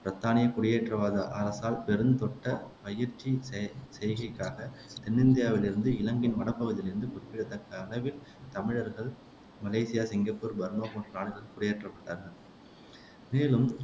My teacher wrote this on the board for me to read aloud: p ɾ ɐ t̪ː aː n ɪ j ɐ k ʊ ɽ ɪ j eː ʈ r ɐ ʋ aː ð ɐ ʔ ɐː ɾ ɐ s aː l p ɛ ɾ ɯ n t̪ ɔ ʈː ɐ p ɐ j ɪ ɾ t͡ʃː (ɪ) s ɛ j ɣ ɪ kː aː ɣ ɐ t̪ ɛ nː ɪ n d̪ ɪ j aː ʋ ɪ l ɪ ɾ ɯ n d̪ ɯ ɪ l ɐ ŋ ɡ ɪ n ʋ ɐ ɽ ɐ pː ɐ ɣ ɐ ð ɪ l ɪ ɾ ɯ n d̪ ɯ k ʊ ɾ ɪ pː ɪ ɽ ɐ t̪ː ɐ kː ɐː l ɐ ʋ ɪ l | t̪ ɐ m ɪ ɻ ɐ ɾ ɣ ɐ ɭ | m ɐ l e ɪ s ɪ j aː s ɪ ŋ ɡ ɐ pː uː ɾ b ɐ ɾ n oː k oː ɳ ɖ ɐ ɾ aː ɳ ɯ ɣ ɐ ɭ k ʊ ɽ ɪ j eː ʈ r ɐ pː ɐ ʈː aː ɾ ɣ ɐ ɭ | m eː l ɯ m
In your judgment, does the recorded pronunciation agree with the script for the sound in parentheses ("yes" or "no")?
no